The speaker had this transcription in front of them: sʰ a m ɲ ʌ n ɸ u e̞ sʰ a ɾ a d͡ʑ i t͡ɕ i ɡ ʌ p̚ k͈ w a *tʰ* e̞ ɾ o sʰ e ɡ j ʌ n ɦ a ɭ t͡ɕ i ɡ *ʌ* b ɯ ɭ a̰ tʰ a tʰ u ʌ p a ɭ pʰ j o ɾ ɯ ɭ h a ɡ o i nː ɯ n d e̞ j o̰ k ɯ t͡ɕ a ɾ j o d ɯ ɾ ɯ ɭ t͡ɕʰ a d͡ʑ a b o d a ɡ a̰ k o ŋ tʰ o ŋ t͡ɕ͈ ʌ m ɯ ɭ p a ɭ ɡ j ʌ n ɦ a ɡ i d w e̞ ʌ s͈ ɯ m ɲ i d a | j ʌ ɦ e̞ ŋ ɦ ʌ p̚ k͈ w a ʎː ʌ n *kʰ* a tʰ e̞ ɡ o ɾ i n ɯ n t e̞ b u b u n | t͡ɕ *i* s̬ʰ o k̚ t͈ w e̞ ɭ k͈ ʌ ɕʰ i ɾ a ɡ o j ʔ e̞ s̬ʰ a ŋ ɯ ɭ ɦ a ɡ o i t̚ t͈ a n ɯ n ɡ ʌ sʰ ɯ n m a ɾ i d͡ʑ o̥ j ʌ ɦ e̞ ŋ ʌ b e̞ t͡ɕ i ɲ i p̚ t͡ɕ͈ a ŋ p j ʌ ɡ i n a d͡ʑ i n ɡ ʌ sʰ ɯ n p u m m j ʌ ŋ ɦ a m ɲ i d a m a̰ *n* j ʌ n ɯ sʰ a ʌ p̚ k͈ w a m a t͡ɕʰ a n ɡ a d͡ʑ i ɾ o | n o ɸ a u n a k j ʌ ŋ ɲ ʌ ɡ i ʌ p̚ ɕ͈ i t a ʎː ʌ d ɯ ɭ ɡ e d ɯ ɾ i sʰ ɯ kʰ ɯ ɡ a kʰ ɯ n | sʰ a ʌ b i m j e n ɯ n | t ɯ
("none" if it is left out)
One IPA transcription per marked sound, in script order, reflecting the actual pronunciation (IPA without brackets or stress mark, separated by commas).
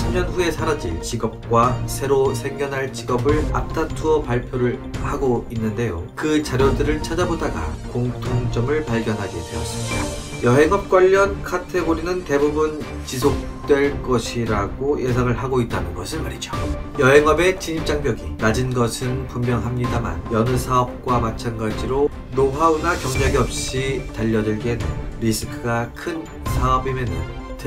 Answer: sʰ, ʌ, kʰ, i, n